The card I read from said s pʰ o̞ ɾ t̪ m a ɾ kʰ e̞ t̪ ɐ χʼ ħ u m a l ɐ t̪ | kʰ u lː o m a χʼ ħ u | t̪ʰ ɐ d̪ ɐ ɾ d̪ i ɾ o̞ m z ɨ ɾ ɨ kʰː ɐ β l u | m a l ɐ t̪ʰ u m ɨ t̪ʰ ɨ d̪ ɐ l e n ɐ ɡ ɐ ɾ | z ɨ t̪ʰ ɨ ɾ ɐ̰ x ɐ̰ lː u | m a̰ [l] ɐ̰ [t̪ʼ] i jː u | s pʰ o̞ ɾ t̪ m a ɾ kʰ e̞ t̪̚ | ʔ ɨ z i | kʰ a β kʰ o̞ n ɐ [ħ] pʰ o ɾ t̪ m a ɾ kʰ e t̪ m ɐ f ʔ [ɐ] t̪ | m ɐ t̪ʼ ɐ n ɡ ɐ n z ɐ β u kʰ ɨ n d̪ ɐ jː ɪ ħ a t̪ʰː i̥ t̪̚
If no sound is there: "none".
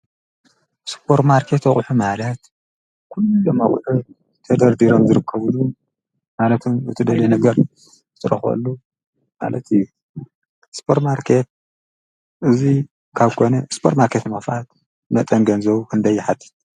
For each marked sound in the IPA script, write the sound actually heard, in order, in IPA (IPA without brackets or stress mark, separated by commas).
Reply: l, t̪, s, a